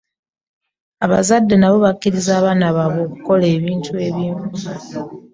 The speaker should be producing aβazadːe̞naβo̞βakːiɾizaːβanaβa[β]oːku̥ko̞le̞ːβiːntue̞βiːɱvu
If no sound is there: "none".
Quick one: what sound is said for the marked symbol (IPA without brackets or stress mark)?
β